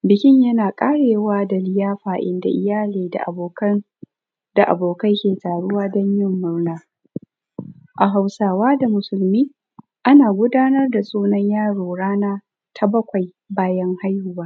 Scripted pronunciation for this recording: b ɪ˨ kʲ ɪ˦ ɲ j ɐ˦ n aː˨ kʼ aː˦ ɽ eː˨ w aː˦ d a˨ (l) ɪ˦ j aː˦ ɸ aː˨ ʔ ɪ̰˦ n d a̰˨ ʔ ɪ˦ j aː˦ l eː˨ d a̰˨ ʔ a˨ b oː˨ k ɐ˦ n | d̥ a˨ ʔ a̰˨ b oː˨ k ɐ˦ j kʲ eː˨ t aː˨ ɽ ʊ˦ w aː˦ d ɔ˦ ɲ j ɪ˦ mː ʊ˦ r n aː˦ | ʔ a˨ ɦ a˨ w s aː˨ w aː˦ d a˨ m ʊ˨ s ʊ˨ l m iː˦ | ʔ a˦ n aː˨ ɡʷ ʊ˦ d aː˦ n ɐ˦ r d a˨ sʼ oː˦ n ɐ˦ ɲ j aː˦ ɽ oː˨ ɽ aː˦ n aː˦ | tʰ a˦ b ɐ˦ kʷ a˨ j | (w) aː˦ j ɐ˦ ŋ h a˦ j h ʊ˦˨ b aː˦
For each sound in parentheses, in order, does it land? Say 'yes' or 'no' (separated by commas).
yes, no